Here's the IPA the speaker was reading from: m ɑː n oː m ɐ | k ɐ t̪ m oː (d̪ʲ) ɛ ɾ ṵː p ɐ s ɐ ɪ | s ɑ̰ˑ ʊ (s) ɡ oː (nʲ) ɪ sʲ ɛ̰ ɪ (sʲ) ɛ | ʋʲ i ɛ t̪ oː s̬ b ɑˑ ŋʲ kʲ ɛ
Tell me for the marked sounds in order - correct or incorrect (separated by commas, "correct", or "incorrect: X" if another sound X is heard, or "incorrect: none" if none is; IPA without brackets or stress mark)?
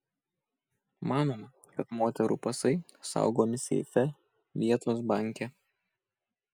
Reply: incorrect: t̪ʲ, incorrect: none, incorrect: mʲ, incorrect: fʲ